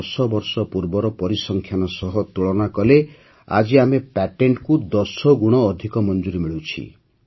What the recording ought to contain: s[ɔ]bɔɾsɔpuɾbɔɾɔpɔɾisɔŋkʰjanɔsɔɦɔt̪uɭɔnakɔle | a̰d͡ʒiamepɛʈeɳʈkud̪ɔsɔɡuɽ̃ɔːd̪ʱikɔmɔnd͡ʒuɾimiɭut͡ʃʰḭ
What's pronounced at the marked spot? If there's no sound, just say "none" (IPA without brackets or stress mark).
ɔ